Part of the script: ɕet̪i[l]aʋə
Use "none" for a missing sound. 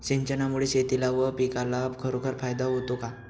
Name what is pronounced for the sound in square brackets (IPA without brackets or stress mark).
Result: l